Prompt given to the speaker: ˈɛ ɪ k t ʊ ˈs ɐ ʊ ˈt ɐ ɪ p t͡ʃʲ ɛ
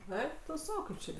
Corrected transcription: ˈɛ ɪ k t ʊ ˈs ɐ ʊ ˈk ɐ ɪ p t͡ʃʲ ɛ